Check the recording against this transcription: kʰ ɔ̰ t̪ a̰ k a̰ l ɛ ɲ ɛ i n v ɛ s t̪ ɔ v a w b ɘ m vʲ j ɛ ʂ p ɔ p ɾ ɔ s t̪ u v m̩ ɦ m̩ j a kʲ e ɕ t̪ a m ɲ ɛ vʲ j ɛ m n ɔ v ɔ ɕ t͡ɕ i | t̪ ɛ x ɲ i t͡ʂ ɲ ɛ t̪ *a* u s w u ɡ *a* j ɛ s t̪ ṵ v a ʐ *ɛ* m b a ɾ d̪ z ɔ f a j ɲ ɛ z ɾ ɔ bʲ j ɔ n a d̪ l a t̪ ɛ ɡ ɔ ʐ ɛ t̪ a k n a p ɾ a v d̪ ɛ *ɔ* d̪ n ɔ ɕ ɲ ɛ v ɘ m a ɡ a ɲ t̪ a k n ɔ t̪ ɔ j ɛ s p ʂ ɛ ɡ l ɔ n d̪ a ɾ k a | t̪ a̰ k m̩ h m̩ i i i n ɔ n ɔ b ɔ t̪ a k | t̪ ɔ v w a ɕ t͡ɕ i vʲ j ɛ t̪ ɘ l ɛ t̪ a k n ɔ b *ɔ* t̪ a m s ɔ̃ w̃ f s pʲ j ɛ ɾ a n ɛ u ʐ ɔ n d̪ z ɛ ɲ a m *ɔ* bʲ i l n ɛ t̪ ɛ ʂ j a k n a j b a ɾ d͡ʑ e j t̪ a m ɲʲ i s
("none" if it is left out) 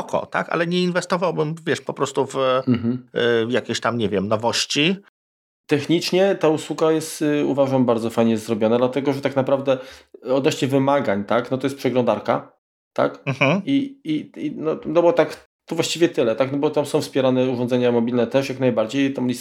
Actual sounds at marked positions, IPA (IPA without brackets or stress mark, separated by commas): a, a, a, ɔ, ɔ, ɔ